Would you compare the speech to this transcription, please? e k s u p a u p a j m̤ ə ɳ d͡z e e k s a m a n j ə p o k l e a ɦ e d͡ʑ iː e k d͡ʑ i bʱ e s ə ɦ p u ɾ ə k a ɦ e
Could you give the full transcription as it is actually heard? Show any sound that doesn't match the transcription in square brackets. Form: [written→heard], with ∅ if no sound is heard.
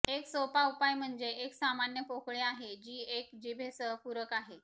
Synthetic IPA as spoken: e k s [u→o] p a u p a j m̤ ə ɳ d͡z e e k s a m a n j ə p o k [l→ɭ] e a ɦ e d͡ʑ iː e k d͡ʑ i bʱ e s ə ɦ p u ɾ ə k a ɦ e